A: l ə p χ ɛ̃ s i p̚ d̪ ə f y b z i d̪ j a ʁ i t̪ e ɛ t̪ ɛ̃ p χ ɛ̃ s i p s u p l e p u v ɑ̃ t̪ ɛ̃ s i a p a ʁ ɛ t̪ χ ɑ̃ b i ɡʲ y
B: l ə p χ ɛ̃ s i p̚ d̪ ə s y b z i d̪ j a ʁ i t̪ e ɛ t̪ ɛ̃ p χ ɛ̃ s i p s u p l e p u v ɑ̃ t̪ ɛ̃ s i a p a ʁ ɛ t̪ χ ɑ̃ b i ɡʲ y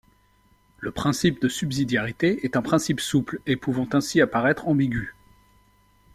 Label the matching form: B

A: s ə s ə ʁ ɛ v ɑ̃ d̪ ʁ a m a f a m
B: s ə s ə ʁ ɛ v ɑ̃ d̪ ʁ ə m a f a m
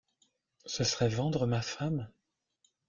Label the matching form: B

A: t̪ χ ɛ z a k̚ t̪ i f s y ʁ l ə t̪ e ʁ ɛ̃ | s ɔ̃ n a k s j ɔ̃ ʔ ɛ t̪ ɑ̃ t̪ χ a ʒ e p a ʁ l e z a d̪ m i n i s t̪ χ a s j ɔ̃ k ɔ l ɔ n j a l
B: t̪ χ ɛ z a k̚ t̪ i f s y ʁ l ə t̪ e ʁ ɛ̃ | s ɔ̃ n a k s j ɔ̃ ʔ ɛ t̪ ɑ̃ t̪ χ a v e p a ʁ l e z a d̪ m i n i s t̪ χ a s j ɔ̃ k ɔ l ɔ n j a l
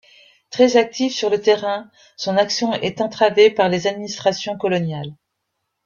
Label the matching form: B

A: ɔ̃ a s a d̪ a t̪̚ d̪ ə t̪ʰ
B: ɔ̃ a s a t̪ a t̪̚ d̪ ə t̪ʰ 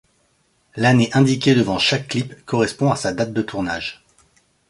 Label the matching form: A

